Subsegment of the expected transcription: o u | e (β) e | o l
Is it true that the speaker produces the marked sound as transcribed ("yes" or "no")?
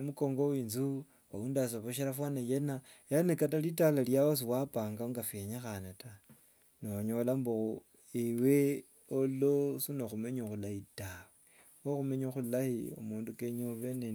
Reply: no